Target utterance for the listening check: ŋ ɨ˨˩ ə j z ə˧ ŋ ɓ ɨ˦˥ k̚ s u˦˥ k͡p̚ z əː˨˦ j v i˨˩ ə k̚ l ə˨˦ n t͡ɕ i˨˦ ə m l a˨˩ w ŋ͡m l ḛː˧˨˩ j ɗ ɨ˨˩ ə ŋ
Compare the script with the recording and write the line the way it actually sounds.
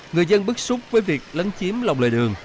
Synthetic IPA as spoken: ŋ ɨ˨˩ ə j z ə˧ n ɓ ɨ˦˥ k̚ s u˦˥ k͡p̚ v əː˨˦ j v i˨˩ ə k̚ l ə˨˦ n t͡ɕ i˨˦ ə m l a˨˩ w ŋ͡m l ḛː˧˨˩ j ɗ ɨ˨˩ ə ŋ

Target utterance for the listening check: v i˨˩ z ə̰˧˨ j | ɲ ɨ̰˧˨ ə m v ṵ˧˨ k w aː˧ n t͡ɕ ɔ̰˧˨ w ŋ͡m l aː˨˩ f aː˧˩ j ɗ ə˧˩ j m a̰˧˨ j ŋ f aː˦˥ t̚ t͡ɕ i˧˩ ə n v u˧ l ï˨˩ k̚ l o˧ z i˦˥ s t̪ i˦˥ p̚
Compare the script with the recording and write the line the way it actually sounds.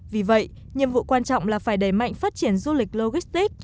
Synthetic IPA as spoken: v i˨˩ v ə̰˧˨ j | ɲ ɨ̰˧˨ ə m v ṵ˧˨ k w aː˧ n t͡ɕ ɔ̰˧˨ w ŋ͡m l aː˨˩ f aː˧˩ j ɗ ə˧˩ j m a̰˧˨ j ŋ f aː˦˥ t̚ t͡ɕ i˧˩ ə n z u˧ l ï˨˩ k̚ l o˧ ɣ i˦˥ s t̪ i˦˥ k̚

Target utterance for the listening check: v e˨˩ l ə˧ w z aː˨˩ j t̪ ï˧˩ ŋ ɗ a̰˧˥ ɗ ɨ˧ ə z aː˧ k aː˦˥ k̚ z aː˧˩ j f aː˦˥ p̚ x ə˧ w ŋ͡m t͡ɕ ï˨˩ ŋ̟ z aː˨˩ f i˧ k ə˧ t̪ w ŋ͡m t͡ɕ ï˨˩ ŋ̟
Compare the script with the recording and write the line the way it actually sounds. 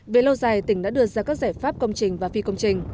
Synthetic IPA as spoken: v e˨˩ l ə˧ w z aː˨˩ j t̪ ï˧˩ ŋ ɗ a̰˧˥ ɗ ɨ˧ ə z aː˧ k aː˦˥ k̚ z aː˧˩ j f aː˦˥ p̚ k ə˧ w ŋ͡m t͡ɕ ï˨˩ ŋ̟ v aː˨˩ f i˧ k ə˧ w ŋ͡m t͡ɕ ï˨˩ ŋ̟

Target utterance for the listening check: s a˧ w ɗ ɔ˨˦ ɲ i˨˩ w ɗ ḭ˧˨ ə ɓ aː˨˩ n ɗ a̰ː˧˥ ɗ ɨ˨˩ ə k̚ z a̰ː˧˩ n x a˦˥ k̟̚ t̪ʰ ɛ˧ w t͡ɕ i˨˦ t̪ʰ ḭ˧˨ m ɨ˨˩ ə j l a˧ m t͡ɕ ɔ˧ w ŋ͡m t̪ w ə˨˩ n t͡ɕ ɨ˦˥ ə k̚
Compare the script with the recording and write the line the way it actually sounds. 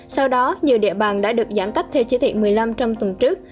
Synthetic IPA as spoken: s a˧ w ɗ ɔ˨˦ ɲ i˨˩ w ɗ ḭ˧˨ ə ɓ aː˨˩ n ɗ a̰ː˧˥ ɗ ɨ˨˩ ə k̚ z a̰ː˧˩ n k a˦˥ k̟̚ t̪ʰ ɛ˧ w t͡ɕ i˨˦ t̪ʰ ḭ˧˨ m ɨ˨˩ ə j l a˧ m t͡ɕ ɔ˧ w ŋ͡m t̪ w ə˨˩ n t͡ɕ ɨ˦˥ ə k̚

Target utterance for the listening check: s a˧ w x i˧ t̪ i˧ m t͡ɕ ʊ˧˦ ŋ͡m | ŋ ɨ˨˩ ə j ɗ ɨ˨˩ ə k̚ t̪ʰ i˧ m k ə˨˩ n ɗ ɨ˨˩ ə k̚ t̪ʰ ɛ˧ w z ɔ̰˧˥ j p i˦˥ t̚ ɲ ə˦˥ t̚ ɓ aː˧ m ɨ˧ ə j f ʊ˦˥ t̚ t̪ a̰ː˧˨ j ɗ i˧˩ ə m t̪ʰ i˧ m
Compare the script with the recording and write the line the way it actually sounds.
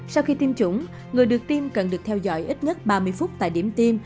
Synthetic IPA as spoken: s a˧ w x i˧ t̪ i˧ m t͡ɕ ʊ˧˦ ŋ͡m | ŋ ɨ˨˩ ə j ɗ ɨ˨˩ ə k̚ t̪ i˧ m k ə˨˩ n ɗ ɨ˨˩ ə k̚ t̪ʰ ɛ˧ w z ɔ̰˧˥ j ʔ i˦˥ t̚ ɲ ə˦˥ t̚ ɓ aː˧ m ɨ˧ ə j f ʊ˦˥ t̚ t̪ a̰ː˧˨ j ɗ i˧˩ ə m t̪ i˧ m

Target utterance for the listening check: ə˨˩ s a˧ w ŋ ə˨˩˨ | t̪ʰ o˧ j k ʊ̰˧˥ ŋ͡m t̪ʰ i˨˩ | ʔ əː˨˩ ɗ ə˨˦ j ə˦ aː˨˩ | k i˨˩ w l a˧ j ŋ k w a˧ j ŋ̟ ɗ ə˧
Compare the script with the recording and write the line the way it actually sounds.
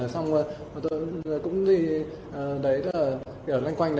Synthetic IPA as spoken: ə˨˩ s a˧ w ŋ͡m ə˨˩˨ | t̪ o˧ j k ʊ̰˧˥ ŋ͡m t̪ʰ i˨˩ | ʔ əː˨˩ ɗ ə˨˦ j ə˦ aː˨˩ | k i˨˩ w l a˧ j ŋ k w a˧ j ŋ̟ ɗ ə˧

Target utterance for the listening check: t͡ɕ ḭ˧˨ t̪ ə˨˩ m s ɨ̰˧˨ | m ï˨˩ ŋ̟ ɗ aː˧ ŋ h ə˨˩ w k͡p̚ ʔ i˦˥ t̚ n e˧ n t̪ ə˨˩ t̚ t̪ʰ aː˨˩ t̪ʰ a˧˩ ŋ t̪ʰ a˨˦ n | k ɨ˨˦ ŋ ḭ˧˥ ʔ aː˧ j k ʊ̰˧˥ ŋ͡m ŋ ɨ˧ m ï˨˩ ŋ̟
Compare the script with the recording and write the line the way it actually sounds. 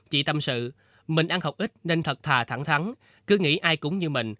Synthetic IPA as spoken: t͡ɕ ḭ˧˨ t̪ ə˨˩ m s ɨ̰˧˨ | m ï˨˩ ŋ̟ ɗ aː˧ ŋ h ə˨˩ w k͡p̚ ʔ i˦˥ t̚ n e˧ n t̪ʰ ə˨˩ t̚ t̪ʰ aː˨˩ t̪ʰ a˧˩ ŋ t̪ʰ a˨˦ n | k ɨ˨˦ ŋ ḭ˧˥ ʔ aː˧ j k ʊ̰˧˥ ŋ͡m ɲ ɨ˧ m ï˨˩ ŋ̟

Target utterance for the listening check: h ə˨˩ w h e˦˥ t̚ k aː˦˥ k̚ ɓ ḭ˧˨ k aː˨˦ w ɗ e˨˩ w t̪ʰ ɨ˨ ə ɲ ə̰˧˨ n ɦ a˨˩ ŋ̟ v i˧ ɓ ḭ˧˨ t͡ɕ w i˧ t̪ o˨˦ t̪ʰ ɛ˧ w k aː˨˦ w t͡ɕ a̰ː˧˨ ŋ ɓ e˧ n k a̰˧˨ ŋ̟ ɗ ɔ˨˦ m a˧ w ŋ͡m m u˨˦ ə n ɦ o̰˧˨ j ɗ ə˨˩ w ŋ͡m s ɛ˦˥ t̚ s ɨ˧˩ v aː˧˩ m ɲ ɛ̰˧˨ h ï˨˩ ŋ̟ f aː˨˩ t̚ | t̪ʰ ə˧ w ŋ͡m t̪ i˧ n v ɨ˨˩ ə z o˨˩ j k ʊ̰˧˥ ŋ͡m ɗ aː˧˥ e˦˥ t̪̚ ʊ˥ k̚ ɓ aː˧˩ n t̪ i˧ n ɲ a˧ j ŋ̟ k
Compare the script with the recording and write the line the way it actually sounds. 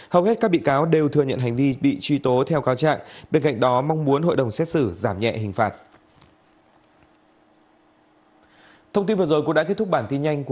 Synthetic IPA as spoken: h ə˨˩ w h e˦˥ t̚ k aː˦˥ k̚ ɓ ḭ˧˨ k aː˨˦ w ɗ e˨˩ w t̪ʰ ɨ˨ ə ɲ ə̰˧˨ n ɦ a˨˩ ŋ̟ v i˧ ɓ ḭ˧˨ t͡ɕ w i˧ t̪ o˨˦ t̪ʰ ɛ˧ w k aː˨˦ w t͡ɕ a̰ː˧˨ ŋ ɓ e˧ n k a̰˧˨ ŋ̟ ɗ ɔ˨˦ m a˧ w ŋ͡m m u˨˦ ə n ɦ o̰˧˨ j ɗ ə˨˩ w ŋ͡m s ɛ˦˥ t̚ s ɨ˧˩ z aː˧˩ m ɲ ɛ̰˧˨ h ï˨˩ ŋ̟ f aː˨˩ t̚ | t̪ʰ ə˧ w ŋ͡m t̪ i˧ n v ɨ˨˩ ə z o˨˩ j k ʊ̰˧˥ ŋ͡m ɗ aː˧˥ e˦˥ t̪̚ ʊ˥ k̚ ɓ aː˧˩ n t̪ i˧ n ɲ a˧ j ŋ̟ k

